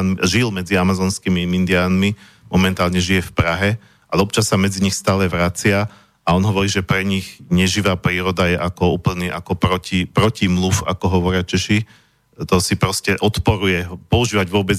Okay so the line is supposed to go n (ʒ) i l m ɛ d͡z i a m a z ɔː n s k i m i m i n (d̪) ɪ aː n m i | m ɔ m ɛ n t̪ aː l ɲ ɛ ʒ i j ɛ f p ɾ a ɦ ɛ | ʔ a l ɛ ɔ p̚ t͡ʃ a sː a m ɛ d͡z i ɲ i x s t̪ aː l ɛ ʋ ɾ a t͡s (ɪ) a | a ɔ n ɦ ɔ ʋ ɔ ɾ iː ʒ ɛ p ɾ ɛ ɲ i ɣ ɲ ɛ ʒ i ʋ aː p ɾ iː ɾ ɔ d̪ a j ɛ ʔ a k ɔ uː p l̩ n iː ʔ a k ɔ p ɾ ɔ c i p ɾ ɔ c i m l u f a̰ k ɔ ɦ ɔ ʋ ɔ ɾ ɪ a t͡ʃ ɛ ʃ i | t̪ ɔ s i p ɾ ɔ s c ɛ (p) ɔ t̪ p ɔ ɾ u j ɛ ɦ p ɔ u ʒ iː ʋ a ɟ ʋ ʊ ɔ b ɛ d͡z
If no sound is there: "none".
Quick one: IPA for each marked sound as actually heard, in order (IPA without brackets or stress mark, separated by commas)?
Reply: ʒ, d̪, ɪ, ʔ